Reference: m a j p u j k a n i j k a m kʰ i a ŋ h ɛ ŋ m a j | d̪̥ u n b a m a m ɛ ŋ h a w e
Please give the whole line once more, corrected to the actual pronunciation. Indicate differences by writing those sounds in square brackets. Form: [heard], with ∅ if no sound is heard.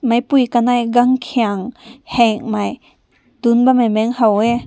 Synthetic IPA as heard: m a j p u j k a n [a] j [ɡ] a [ŋ] kʰ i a ŋ h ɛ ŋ m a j | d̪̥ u n b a m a m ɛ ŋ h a w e

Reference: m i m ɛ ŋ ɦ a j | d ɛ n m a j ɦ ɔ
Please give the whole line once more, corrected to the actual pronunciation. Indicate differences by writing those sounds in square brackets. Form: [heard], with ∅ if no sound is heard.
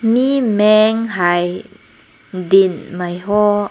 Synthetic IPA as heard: m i m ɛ ŋ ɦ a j | d [i] n m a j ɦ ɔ

